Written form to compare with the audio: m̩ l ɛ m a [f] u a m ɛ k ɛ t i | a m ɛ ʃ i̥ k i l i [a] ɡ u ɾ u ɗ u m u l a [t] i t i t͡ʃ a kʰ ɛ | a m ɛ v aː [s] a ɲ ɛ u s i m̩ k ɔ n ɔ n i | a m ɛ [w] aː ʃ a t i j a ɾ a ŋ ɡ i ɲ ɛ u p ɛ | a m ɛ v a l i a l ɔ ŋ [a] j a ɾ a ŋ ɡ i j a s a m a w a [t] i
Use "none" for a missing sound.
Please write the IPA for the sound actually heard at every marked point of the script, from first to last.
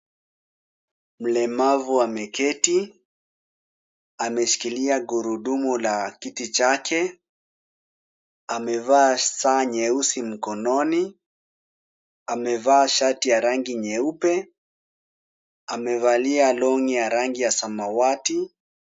v, a, k, s, v, i, t

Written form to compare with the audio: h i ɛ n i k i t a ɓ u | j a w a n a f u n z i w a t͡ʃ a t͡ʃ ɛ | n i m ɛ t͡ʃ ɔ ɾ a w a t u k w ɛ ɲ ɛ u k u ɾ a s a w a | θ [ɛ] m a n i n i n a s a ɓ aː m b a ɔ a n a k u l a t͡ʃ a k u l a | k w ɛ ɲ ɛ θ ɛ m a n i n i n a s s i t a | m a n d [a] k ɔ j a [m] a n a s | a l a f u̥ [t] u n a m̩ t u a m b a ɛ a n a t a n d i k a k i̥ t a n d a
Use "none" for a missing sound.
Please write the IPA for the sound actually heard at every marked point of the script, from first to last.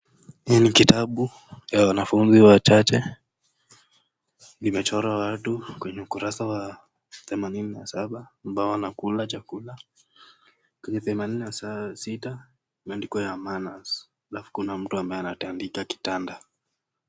ɛ, i, m, k

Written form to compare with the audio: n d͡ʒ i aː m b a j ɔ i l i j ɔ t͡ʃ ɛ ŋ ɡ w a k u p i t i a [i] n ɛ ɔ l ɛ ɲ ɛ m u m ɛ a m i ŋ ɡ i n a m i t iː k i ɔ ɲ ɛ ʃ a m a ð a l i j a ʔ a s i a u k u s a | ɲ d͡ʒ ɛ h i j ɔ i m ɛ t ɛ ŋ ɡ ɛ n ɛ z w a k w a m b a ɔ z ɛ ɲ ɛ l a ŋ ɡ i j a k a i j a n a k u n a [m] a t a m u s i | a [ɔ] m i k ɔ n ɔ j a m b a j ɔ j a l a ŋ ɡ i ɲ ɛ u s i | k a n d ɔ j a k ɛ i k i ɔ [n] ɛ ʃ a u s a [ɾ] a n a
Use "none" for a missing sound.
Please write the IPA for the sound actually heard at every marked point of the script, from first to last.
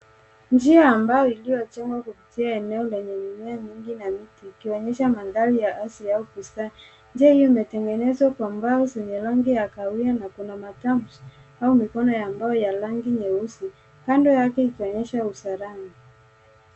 ɛ, m, u, ɲ, ɾ

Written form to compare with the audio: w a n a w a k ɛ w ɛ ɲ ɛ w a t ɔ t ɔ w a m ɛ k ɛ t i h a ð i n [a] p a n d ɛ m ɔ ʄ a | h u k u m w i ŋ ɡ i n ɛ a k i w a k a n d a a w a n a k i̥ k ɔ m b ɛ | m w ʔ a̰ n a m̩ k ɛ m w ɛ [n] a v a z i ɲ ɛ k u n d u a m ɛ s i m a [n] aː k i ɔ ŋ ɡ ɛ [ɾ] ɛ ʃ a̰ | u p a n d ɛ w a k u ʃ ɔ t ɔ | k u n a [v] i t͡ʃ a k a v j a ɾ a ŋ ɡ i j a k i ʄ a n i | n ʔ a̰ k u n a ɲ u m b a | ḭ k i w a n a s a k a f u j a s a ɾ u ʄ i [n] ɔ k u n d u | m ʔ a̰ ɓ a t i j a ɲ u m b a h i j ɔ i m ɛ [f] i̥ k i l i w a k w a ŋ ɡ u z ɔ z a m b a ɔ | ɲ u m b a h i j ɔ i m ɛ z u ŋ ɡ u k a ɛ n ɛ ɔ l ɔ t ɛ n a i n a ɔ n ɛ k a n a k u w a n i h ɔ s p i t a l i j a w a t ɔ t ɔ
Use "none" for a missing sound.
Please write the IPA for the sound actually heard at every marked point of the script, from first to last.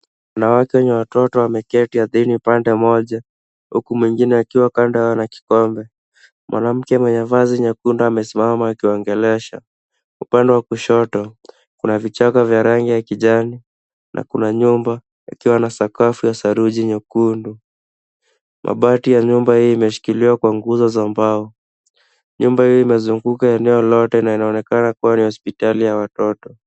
i, ɲ, m, l, v, ɲ, ʃ

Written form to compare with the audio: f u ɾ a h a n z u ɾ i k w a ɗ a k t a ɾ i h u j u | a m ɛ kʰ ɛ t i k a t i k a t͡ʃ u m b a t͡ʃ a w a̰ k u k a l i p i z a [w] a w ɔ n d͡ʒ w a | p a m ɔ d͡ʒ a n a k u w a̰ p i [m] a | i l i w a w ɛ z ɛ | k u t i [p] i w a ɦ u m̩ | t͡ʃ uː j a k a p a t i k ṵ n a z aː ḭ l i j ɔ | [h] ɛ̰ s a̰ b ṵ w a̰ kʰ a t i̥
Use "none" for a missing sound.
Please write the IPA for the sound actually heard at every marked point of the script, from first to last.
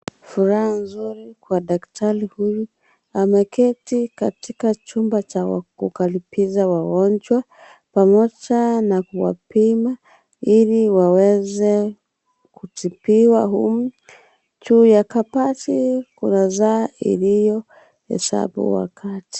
w, m, p, h

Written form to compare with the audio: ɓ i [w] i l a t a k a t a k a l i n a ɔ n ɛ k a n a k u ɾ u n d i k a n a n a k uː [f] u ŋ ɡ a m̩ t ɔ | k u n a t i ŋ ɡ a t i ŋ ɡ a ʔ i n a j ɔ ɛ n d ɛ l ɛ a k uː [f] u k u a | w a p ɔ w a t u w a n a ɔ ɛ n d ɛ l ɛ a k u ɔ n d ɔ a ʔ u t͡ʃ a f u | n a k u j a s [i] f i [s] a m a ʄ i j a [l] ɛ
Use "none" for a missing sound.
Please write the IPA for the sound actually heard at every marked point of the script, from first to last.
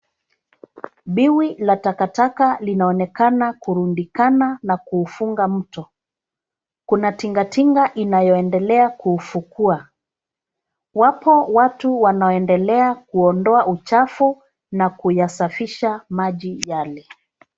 w, f, f, a, ʃ, l

